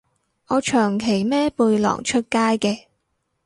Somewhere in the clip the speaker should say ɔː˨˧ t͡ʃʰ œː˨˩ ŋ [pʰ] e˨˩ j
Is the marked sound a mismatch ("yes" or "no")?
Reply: yes